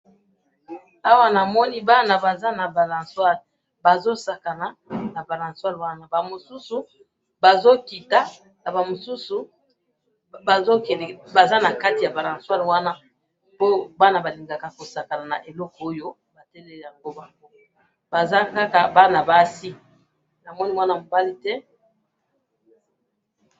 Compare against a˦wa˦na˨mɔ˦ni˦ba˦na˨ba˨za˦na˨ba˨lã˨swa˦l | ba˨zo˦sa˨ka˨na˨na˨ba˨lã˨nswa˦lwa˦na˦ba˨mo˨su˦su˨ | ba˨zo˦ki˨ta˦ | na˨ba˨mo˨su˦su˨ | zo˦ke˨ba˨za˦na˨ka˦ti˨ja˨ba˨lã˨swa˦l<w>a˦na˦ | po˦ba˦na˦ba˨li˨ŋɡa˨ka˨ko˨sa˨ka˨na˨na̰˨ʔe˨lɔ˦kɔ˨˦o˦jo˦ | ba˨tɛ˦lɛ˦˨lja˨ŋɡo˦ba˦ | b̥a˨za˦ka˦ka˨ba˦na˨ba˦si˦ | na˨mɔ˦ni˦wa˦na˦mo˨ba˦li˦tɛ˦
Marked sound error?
no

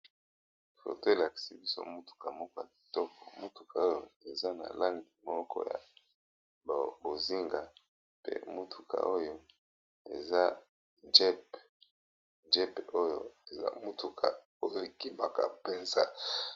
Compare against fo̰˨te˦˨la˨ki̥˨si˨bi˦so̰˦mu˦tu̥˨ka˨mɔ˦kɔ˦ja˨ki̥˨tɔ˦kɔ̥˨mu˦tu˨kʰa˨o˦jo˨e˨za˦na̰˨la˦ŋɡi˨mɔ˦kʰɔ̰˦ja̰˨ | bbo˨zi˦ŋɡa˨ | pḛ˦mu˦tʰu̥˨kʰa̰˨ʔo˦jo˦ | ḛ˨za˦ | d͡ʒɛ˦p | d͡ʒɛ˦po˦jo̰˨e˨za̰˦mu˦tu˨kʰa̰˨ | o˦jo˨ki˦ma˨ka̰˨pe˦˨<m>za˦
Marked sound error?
yes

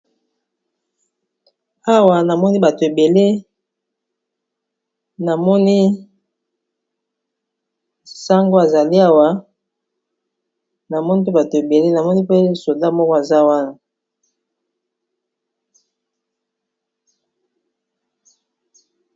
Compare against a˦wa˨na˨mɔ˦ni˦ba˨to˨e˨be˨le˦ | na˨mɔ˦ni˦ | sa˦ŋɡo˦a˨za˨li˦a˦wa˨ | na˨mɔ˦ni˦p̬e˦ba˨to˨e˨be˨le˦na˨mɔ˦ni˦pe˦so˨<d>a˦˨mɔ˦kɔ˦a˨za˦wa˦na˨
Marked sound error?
no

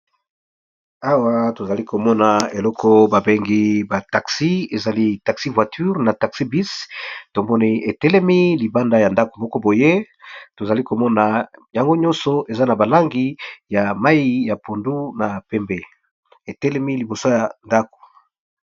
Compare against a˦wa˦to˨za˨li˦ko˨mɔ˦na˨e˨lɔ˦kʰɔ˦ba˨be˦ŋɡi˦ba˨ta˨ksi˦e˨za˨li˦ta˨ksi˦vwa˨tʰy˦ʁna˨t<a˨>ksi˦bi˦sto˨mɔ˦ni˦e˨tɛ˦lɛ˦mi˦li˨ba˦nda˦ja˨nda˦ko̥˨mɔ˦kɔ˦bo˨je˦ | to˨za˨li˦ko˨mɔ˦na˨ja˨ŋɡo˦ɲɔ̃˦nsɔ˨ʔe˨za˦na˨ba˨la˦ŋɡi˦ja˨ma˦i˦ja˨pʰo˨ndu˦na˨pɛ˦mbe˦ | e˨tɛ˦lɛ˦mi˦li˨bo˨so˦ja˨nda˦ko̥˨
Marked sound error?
no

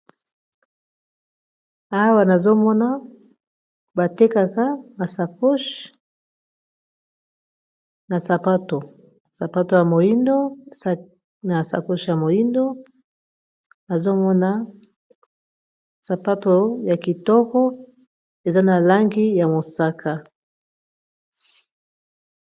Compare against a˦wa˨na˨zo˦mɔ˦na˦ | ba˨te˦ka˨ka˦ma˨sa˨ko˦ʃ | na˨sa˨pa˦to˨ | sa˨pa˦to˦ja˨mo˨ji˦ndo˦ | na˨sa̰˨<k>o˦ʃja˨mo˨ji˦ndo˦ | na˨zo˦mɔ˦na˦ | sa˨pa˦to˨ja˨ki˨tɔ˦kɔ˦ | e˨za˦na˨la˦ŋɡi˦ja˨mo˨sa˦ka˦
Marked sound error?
no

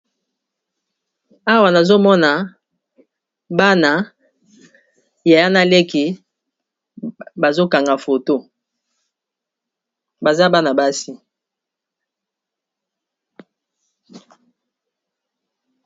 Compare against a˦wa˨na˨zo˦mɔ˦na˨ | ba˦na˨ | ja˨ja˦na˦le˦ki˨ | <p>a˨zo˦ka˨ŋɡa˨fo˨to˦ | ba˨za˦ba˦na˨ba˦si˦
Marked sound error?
yes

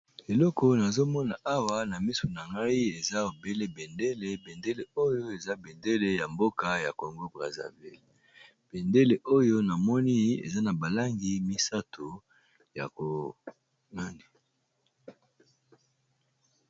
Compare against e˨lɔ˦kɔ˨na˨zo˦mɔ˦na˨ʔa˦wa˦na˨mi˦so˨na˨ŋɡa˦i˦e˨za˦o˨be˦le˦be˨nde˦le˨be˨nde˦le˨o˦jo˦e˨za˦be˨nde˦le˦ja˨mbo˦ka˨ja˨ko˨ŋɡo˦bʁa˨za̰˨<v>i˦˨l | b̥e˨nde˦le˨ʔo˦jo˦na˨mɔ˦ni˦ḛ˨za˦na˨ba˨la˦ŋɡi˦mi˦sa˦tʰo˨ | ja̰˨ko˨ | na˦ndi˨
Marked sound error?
no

